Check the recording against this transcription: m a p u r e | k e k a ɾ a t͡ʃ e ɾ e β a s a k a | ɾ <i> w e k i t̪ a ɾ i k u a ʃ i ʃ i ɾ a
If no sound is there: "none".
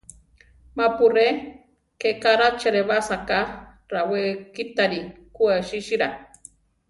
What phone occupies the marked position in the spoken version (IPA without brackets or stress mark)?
a